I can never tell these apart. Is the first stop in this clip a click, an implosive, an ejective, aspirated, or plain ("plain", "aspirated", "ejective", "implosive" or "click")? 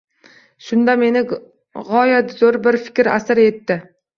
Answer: plain